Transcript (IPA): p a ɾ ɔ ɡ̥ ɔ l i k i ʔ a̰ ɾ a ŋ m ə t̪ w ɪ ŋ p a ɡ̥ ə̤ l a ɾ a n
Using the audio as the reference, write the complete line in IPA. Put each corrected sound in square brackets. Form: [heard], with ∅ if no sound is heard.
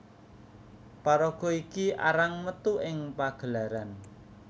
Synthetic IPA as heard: p a ɾ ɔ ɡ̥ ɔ [∅] i k i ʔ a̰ ɾ a ŋ m ə t̪ [u] ɪ ŋ p a ɡ̥ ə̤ l a ɾ a n